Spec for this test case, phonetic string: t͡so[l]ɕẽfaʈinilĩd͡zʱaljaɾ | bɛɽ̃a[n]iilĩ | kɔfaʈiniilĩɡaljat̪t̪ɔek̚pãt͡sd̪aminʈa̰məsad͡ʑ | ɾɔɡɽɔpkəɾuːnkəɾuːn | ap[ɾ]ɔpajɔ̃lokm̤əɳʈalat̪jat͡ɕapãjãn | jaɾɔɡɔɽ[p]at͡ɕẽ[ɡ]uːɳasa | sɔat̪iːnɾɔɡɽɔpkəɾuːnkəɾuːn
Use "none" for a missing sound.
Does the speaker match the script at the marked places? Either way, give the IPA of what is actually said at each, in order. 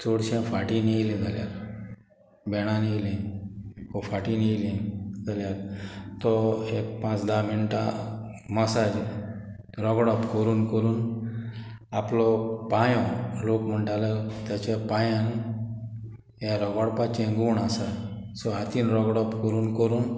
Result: ɽ, n, l, p, ɡ

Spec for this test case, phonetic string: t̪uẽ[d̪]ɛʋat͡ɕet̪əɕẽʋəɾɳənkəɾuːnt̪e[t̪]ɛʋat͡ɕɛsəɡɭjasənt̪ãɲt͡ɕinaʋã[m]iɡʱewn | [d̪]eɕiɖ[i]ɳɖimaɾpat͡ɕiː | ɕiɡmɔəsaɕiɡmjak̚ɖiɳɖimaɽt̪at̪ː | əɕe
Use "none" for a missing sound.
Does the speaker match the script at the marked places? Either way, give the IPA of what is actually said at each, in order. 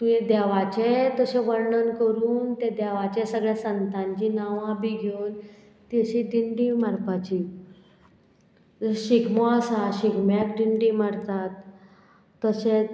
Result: d̪, d̪, b, t̪, i

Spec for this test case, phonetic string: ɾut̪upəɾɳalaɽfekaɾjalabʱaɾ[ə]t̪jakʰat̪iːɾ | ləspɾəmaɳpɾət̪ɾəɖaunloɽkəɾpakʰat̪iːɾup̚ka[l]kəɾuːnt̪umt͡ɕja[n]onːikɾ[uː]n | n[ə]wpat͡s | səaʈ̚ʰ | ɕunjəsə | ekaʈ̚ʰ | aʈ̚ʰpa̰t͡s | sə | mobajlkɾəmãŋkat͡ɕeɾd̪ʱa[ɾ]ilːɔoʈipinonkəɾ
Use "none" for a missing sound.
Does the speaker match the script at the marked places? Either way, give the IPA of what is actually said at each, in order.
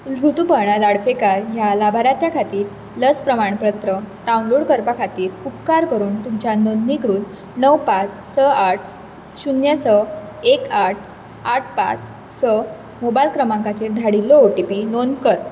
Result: a, ɾ, n, uː, ə, ɽ

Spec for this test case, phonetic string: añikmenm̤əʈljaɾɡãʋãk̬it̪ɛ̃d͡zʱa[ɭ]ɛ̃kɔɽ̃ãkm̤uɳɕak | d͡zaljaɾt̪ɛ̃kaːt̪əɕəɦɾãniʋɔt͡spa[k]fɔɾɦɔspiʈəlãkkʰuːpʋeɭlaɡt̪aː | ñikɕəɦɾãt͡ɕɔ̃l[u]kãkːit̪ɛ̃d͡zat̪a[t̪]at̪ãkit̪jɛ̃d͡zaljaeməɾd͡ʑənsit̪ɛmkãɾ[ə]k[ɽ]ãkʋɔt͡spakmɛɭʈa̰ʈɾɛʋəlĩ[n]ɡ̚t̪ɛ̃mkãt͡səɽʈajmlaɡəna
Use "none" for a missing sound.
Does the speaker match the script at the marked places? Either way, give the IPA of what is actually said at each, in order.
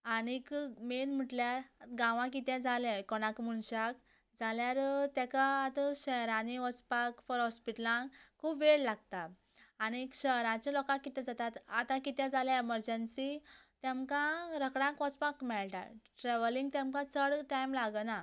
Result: l, k, ɔ, t̪, ə, ɽ, ŋ

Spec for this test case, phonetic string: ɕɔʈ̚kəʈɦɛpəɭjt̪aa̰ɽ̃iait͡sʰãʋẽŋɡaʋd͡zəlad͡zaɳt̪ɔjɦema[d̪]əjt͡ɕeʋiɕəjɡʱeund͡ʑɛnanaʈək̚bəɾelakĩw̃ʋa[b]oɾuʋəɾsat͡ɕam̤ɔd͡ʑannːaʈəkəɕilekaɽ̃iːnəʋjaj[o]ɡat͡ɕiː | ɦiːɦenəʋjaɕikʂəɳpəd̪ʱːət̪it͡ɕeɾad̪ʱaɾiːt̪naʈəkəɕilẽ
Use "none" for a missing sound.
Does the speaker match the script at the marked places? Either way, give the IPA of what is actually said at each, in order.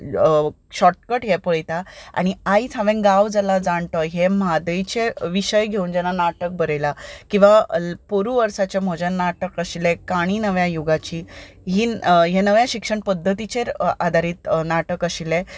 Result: d̪, p, u

